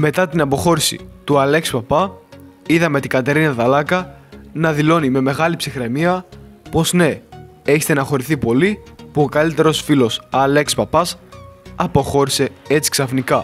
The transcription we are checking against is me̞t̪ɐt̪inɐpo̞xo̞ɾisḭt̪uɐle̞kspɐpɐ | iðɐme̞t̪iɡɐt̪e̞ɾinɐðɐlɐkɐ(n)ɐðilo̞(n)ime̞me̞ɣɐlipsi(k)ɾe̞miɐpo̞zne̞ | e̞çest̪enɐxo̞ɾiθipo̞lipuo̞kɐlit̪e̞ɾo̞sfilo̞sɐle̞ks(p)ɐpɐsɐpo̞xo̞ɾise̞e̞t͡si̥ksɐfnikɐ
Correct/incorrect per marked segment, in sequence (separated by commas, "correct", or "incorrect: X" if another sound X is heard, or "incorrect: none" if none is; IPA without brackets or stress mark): correct, correct, incorrect: x, correct